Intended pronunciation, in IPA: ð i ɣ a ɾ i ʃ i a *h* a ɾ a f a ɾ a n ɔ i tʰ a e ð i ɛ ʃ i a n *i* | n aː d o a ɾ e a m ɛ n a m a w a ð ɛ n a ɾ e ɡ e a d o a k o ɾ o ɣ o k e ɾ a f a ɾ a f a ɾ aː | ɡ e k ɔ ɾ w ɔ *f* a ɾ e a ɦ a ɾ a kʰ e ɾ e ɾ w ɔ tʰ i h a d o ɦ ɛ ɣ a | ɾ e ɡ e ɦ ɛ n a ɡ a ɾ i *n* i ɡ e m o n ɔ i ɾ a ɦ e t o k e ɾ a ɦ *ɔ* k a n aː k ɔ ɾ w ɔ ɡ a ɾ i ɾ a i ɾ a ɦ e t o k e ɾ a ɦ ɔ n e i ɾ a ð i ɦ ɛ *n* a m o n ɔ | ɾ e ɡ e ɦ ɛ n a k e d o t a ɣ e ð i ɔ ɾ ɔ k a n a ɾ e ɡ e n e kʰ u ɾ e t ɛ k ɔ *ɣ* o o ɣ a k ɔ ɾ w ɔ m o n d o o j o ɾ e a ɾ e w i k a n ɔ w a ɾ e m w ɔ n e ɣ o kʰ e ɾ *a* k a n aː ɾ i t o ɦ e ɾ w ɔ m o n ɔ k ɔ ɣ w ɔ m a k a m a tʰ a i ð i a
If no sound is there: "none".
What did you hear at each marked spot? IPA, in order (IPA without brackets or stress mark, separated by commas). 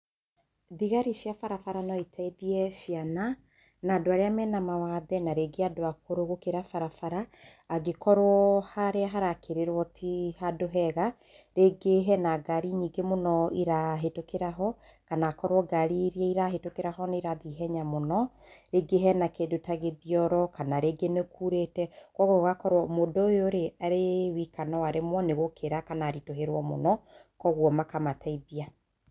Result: f, a, h, ɲ, ɔ, ɲ, ɣ, a